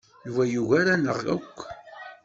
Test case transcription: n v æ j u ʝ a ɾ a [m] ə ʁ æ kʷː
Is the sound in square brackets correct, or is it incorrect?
incorrect